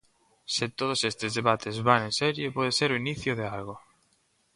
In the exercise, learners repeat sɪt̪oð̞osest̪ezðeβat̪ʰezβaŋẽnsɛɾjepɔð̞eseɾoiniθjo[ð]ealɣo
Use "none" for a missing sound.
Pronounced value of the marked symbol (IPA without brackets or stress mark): ð